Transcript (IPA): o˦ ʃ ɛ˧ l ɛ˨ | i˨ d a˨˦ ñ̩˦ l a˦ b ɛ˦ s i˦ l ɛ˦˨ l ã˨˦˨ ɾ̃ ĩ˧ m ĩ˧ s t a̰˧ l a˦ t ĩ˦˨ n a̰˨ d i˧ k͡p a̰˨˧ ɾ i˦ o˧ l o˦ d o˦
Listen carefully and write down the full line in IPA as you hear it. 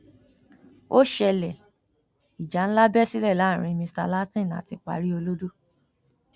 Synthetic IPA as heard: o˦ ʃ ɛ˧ l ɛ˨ | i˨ d͡ʒ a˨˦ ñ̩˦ l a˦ b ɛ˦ s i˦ l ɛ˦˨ l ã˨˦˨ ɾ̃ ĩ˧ m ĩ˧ s t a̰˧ l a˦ t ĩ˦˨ n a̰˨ t i˧ k͡p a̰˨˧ ɾ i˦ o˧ l o˦ d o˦